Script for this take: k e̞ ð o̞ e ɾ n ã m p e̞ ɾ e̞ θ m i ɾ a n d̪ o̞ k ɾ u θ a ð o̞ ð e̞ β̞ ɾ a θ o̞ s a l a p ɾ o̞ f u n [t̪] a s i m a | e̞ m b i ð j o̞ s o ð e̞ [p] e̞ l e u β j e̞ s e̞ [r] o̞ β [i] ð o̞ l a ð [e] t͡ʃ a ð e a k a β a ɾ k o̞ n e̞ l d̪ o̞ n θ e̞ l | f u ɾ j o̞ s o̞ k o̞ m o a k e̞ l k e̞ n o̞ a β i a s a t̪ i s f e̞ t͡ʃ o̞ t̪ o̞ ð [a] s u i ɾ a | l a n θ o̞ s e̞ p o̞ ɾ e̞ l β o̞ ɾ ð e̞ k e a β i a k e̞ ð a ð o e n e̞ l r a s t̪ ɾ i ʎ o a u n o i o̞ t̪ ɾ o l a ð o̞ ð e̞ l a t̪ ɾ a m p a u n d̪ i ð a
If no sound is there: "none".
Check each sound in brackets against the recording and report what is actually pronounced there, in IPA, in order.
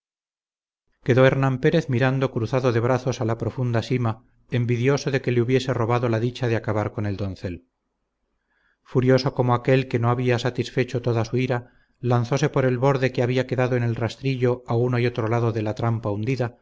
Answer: d̪, k, r, a, i, a

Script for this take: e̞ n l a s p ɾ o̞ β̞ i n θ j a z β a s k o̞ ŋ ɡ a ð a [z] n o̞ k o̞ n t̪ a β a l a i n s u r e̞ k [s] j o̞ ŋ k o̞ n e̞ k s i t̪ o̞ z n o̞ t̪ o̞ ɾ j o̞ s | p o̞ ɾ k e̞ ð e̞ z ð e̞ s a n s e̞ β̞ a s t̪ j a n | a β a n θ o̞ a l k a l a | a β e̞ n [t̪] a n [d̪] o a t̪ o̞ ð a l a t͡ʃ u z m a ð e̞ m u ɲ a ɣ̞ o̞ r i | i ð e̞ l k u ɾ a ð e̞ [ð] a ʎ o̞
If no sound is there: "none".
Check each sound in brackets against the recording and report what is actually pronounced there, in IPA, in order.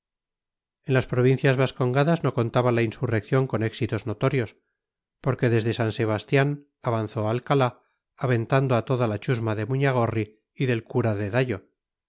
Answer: z, θ, t̪, d̪, ð

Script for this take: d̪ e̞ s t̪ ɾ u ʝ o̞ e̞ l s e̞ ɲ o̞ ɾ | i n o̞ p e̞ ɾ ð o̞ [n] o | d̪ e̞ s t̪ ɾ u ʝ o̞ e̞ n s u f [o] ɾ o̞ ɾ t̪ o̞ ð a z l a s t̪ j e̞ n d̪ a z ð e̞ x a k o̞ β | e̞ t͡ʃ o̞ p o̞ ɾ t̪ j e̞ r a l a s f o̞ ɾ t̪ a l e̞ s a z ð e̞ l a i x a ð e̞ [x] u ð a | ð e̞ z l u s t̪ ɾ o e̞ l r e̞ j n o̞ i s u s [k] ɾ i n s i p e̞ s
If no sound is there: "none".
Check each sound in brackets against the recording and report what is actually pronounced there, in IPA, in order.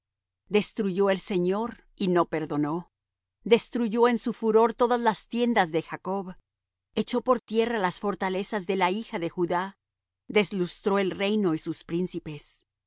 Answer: n, u, x, p

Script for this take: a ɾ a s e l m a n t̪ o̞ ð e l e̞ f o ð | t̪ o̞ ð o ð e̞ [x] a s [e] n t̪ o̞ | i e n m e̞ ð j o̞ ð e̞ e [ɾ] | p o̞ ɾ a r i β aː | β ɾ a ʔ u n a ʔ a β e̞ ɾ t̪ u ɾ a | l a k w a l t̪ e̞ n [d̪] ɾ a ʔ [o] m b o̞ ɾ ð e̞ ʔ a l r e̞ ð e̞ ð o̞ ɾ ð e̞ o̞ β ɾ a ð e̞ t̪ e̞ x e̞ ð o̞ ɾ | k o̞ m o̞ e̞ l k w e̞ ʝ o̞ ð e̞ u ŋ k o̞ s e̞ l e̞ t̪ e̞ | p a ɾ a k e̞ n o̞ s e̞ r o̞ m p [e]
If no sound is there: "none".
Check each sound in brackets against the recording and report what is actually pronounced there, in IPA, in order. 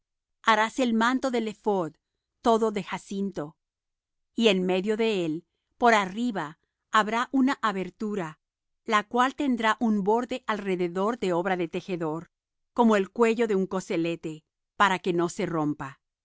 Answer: x, i, l, d̪, u, a

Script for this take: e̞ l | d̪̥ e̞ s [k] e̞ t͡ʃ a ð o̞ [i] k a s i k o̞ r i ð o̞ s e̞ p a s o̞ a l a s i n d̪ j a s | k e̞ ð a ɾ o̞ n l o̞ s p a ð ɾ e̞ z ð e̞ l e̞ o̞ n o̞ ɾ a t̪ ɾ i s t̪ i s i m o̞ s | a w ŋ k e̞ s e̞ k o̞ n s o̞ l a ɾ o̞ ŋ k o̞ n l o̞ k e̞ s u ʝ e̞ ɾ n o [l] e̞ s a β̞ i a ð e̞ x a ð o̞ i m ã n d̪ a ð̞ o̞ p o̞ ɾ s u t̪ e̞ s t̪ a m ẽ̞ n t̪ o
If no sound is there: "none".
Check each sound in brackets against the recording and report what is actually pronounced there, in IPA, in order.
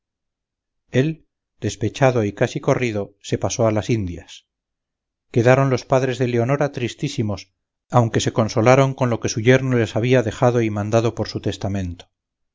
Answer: p, i, l

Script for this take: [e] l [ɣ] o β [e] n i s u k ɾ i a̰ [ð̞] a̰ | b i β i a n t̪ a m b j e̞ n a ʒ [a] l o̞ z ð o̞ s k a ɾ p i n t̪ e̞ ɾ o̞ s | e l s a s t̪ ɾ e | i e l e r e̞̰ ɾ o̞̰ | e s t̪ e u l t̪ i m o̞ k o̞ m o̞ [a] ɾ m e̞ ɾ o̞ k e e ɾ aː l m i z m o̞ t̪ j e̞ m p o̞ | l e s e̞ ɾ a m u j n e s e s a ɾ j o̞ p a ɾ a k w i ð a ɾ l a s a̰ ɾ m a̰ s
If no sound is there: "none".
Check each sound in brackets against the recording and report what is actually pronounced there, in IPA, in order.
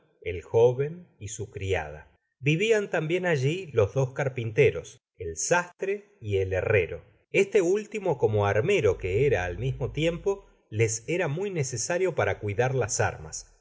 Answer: e, x, e, ð̞, i, a

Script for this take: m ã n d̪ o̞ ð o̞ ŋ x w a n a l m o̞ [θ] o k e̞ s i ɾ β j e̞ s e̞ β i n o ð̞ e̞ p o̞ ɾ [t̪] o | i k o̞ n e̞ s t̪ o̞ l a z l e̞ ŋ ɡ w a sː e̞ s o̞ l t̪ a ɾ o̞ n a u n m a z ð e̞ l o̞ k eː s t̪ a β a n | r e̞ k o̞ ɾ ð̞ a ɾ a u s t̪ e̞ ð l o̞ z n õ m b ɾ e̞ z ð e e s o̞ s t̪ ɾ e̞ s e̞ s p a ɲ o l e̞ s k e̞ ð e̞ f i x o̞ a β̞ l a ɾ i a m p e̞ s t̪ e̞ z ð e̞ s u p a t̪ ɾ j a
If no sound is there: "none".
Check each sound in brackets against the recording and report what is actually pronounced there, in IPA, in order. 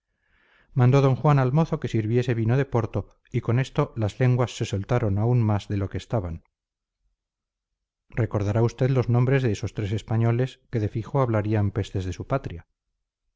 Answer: θ, t̪

